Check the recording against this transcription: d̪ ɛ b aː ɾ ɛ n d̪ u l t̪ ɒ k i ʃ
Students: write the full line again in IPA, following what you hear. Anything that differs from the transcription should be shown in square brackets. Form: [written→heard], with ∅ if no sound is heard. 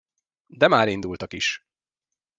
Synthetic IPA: d̪ ɛ [b→m] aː ɾ [ɛ→i] n d̪ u l t̪ ɒ k i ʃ

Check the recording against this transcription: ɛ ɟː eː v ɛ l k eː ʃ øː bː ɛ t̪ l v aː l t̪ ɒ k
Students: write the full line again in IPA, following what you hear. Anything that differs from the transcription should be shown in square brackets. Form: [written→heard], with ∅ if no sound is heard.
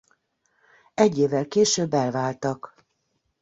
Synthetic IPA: ɛ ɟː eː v ɛ l k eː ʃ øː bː ɛ [t̪→∅] l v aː l t̪ ɒ k

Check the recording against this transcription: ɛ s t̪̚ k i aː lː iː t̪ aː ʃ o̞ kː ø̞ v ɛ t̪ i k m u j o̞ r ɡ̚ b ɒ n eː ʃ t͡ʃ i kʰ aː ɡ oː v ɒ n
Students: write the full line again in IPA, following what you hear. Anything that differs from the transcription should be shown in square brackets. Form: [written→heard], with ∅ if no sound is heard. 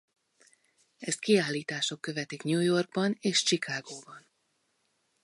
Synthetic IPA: ɛ s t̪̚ k i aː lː iː t̪ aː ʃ o̞ kː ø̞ v ɛ t̪ i k [m→ɲ] u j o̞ r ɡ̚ b ɒ n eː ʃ t͡ʃ i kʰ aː ɡ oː [v→b] ɒ n

